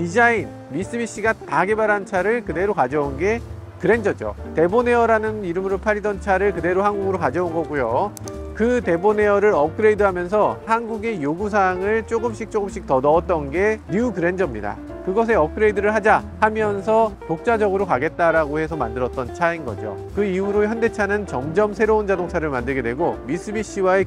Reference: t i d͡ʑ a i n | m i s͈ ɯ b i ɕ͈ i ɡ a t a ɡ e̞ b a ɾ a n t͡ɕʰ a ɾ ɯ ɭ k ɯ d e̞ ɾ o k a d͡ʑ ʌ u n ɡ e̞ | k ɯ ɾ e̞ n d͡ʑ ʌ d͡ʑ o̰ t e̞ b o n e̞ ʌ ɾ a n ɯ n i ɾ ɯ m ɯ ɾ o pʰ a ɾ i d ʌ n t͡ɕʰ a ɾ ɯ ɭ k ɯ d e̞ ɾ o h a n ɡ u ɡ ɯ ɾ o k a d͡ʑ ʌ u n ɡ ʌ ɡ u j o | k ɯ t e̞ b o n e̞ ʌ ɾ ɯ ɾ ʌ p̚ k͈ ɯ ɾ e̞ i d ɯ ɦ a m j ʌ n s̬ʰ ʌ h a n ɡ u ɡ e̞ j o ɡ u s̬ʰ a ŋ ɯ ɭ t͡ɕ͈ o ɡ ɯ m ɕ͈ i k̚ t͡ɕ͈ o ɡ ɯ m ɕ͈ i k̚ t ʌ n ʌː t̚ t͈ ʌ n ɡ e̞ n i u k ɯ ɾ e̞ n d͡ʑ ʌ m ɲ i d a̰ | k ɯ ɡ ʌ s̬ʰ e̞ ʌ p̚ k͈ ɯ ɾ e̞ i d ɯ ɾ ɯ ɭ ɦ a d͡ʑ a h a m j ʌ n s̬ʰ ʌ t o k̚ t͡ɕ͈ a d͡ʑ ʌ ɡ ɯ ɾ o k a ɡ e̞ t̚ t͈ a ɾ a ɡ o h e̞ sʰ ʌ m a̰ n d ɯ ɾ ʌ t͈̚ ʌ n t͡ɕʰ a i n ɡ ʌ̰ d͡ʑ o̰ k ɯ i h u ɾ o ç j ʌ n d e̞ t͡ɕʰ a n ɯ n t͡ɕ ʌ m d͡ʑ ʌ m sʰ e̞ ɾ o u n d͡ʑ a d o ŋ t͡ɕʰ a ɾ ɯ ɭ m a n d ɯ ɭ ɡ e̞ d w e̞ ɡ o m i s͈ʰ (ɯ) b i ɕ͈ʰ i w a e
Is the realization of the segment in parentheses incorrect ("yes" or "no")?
no